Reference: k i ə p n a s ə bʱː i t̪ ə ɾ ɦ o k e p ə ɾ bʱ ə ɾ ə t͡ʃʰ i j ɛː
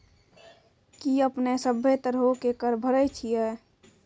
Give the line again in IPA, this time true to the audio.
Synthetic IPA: k i ə p n e s ə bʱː e t̪ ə ɾ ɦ o k e k ə ɾ bʱ ə ɾ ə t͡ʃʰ i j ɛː